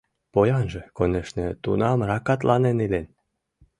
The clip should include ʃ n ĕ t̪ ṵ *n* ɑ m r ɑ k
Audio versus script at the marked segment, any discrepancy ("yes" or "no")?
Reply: no